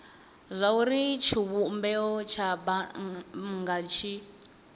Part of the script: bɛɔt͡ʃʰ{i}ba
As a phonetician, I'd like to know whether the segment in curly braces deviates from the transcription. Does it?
yes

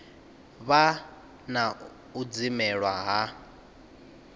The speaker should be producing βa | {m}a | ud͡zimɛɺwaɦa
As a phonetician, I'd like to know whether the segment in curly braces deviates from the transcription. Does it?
yes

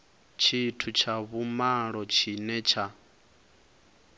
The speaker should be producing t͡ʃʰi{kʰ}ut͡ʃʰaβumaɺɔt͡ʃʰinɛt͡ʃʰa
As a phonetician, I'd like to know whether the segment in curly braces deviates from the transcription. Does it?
yes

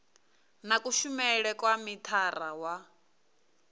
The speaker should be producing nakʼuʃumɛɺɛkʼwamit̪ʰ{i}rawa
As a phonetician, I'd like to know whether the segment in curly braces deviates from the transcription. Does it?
yes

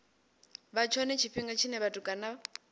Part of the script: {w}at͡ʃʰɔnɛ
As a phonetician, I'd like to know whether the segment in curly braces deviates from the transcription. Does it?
yes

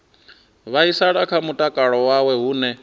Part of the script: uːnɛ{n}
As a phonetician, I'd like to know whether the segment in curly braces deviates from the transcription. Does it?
yes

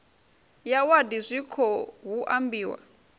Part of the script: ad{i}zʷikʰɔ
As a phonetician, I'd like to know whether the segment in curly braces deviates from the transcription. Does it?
no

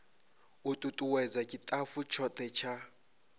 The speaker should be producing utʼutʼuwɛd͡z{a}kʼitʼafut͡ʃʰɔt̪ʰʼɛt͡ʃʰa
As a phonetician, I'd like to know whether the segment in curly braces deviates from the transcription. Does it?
no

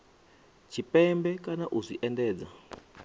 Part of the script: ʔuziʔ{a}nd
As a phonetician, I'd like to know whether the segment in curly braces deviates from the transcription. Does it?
yes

